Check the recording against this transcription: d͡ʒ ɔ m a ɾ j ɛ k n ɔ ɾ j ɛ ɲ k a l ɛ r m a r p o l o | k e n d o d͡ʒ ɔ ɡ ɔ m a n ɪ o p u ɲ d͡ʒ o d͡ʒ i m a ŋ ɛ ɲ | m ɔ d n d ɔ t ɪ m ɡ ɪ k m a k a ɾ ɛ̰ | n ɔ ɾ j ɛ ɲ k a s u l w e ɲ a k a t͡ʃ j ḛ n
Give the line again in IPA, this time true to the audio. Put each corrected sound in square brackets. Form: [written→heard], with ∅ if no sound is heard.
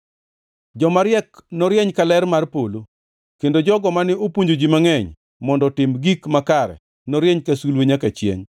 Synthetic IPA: d͡ʒ ɔ m a ɾ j ɛ k n ɔ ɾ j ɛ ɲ k a l ɛ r m a r p o l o | k e n d o d͡ʒ ɔ ɡ ɔ m a n ɪ o p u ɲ d͡ʒ o d͡ʒ i m a ŋ ɛ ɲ | m ɔ [d→∅] n d ɔ t ɪ m ɡ [ɪ→i] k m a k a ɾ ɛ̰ | n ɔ ɾ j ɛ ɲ k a s u l w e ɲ a k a t͡ʃ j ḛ [n→ɲ]